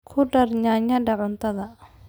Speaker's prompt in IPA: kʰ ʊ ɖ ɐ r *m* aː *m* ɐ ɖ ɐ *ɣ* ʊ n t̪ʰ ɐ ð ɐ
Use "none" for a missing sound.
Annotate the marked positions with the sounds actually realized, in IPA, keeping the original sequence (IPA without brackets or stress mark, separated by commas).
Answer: ɲ, ɲ, ʕ